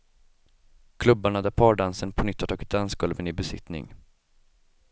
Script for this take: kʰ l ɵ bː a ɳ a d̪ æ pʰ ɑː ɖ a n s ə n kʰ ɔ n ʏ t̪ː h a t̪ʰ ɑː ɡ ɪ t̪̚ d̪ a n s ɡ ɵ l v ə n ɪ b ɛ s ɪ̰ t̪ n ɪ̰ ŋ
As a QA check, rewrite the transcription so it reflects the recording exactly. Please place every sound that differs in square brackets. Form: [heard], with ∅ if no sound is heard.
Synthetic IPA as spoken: kʰ l ɵ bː a ɳ a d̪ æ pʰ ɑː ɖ a n s ə n [pʰ] ɔ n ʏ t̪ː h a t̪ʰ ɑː ɡ ɪ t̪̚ d̪ a n s ɡ ɵ l v ə n ɪ b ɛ s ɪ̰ t̪ n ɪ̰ ŋ

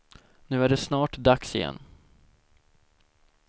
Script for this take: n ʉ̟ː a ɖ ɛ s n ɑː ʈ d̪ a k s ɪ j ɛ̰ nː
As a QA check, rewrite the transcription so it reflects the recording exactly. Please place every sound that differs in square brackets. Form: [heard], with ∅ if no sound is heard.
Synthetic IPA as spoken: n ʉ̟ː [æ] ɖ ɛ s n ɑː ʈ d̪ a k s ɪ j ɛ̰ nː

